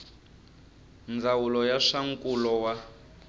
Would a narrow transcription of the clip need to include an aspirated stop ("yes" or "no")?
no